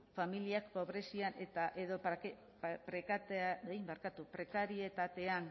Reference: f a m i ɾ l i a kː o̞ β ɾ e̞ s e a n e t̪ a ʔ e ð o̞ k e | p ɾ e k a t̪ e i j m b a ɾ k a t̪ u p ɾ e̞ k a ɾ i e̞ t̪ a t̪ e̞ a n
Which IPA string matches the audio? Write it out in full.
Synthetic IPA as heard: f a m i l i a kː o̞ β ɾ e̞ s i a n e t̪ a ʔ e ð o̞ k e | p ɾ e k a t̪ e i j m b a ɾ k a t̪ u p ɾ e̞ k a ɾ i e̞ t̪ a t̪ e̞ a n